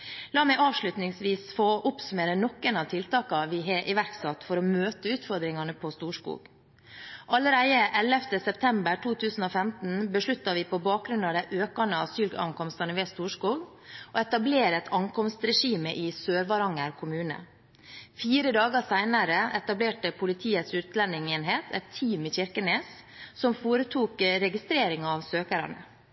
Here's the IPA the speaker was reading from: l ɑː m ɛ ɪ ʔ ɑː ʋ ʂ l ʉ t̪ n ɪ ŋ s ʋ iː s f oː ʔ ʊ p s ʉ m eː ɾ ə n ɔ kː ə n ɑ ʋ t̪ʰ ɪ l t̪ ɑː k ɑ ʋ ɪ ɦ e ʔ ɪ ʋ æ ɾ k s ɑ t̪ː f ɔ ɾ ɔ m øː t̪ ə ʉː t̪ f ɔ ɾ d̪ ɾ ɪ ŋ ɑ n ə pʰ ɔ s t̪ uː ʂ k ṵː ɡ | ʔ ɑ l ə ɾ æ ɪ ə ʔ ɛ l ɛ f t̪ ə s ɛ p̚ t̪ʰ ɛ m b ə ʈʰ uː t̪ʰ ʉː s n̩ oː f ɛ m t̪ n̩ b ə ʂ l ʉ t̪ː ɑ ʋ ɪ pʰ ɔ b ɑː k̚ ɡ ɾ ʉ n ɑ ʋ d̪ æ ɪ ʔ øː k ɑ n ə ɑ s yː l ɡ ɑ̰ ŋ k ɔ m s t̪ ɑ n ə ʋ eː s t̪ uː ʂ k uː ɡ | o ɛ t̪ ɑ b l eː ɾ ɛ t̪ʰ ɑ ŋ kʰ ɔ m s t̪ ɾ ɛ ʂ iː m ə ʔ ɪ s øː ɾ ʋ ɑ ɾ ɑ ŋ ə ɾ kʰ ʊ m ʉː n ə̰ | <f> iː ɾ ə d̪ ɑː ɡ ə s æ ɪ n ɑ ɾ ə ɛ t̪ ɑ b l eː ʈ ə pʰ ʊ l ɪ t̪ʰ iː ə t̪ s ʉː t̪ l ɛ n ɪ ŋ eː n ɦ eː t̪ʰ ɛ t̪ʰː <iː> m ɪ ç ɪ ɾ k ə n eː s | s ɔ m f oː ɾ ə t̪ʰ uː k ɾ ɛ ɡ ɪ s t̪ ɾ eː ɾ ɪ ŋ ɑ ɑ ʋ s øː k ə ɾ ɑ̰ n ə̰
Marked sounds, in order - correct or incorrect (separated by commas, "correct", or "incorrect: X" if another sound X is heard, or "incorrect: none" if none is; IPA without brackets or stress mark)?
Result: correct, correct